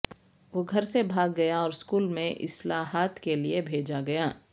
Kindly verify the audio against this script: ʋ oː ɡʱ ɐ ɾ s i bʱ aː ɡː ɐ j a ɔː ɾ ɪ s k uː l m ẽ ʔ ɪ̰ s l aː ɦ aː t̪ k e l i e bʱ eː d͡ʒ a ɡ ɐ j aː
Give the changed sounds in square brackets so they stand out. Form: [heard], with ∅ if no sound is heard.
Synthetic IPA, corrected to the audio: ʋ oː ɡʱ ɐ ɾ s [e] bʱ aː ɡː ɐ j a ɔː ɾ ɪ s k uː l m ẽ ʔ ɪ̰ s l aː ɦ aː t̪ k e l i e bʱ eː d͡ʒ a ɡ ɐ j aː